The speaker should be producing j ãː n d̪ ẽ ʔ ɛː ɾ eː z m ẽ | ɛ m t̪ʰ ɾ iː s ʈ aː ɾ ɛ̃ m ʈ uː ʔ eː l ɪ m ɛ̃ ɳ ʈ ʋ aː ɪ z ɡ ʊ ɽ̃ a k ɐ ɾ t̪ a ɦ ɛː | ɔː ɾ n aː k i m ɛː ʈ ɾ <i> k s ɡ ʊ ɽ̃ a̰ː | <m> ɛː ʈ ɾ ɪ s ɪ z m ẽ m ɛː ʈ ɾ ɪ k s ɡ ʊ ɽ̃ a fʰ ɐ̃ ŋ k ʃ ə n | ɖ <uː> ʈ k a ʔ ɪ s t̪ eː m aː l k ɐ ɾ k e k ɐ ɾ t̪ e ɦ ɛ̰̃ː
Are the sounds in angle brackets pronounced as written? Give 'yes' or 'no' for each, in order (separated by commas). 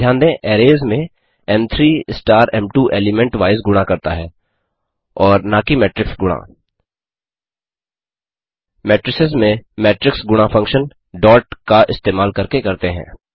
no, yes, no